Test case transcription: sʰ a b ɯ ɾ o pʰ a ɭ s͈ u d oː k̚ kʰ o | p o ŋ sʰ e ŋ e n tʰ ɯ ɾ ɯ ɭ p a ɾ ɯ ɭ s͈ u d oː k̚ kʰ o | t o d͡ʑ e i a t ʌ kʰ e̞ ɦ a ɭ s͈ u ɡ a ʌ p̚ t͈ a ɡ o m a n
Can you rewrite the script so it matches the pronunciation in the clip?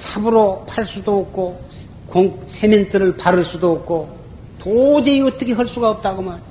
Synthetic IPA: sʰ a b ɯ ɾ o pʰ a ɭ s͈ u d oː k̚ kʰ o | k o ŋ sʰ e m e n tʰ ɯ ɾ ɯ ɭ p a ɾ ɯ ɭ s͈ u d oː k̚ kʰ o | t o d͡ʑ e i ʌ t ʌ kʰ e̞ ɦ ʌ ɭ s͈ u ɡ a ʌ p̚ t͈ a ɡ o m a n